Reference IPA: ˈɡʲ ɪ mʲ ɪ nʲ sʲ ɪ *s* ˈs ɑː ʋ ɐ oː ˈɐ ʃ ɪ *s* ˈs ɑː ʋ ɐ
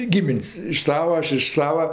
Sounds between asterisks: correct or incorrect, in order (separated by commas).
incorrect, incorrect